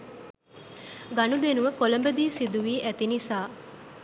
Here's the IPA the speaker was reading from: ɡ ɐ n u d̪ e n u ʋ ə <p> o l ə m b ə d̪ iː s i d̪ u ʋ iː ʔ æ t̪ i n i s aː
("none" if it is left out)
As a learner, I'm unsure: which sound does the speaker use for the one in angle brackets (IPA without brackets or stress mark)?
k